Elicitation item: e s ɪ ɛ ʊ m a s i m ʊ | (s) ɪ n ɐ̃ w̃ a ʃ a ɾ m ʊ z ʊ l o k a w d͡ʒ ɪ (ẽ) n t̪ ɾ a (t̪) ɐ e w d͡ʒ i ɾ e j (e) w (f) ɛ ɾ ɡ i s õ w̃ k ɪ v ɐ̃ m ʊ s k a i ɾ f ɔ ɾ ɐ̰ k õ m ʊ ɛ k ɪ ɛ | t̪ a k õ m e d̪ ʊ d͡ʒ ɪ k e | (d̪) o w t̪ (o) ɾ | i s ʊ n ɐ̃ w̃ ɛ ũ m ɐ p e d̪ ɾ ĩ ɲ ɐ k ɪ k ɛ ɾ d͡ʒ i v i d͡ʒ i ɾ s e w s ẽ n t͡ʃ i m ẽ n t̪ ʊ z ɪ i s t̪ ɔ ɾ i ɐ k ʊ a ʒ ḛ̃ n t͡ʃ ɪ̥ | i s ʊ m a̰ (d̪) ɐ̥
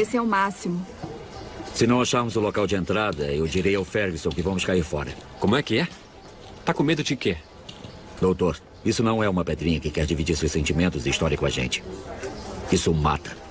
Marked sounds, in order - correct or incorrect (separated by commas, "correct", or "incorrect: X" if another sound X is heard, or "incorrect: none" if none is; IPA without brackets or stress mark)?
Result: correct, correct, incorrect: d̪, incorrect: a, correct, correct, correct, incorrect: t̪